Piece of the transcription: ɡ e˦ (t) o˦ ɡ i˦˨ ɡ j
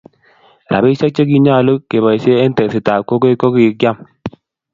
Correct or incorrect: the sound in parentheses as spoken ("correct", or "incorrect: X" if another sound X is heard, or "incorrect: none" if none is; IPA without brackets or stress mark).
incorrect: k